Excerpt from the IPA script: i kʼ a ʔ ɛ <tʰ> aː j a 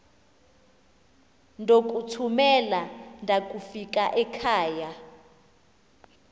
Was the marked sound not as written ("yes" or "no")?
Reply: yes